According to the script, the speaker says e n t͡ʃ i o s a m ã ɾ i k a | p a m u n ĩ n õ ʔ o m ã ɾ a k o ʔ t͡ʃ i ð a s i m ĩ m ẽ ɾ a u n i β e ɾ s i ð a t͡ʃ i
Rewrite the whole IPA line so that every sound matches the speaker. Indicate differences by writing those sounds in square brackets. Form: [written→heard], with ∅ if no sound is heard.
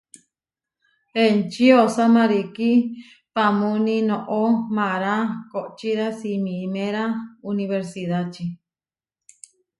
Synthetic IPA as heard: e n t͡ʃ i o s a m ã ɾ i k [a→i] | p a m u n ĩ n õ ʔ o m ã ɾ a k o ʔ t͡ʃ i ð a s i m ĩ m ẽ ɾ a u n i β e ɾ s i ð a t͡ʃ i